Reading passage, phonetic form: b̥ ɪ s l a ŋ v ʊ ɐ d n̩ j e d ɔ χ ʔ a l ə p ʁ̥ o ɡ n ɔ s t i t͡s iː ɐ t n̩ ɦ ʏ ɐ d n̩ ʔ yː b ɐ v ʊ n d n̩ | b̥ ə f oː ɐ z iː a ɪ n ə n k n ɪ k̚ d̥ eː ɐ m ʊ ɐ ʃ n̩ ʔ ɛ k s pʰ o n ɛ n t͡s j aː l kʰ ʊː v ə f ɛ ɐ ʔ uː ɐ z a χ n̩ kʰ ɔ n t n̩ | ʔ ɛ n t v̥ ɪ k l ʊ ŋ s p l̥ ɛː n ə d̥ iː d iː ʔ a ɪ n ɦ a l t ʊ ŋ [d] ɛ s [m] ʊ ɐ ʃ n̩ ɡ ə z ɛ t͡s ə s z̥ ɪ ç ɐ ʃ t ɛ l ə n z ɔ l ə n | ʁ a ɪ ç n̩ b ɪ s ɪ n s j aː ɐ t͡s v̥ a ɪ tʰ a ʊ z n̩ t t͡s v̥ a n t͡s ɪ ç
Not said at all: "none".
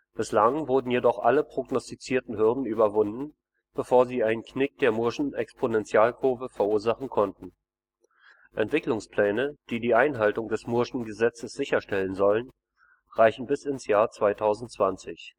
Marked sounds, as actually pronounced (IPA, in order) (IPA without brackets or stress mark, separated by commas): d, m